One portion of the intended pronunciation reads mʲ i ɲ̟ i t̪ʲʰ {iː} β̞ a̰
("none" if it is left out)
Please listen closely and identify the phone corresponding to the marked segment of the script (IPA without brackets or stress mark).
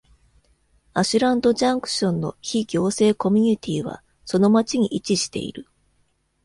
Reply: iː